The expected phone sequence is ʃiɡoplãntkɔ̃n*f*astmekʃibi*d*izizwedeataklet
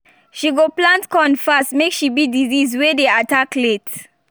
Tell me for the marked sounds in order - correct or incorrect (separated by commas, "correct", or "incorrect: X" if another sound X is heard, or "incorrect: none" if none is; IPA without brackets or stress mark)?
correct, correct